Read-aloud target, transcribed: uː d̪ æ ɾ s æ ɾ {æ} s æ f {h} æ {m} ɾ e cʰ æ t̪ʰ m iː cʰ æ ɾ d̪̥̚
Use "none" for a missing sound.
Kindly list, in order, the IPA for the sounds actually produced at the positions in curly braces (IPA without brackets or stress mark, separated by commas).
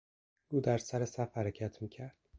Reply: e, h, none